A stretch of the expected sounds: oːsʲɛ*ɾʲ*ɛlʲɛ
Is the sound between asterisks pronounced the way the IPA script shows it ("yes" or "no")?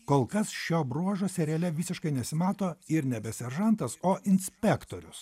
yes